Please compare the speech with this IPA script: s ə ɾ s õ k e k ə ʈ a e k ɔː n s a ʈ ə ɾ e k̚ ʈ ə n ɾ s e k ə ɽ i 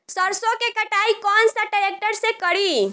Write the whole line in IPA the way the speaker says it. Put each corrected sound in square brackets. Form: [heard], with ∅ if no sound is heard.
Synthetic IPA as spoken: s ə ɾ s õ k e k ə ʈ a [i] k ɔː n s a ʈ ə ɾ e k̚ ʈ ə [∅] ɾ s e k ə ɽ i